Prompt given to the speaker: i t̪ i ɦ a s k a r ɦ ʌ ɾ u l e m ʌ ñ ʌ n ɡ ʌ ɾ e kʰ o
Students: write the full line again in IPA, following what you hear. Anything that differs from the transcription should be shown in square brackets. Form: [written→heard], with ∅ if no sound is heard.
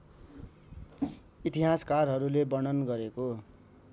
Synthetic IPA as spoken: i t̪ i ɦ a s k a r ɦ ʌ ɾ u l e [m→b] ʌ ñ ʌ n ɡ ʌ ɾ e [kʰ→k] o

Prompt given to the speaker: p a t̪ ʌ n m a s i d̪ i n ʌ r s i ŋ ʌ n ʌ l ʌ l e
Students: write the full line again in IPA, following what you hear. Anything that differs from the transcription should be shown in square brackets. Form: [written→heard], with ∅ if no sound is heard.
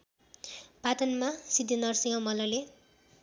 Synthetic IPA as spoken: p a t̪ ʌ n m a s i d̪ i n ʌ r s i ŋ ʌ [n→m] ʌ l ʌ l e

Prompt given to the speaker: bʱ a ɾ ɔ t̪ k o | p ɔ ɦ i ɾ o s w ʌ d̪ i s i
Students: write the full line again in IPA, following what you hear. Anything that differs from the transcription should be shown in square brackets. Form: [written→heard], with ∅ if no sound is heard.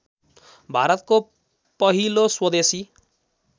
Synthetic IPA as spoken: bʱ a ɾ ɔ t̪ k o | p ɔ ɦ i [ɾ→l] o s w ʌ d̪ [i→e] s i

